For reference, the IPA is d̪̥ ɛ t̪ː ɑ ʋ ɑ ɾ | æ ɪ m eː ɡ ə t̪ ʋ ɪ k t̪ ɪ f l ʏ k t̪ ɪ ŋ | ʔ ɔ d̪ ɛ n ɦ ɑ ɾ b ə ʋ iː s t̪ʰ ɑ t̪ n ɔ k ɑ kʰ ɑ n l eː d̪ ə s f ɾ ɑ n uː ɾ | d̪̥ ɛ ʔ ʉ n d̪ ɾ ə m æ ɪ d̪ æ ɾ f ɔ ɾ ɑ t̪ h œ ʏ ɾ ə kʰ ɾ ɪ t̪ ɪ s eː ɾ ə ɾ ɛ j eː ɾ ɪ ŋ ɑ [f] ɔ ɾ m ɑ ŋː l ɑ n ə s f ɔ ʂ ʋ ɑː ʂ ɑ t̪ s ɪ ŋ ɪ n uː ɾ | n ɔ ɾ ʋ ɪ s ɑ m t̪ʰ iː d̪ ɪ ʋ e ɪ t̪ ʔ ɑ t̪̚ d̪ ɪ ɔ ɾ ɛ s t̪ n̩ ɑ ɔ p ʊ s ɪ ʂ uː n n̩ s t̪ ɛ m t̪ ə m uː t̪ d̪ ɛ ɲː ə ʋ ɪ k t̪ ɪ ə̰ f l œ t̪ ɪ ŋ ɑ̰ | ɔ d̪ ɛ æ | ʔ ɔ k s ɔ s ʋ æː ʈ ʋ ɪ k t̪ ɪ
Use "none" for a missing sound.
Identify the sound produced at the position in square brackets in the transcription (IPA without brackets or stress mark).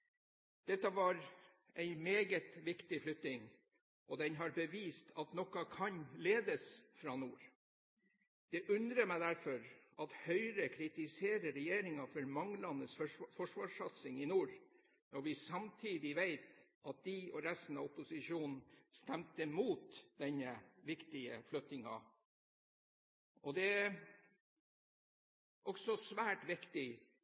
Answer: f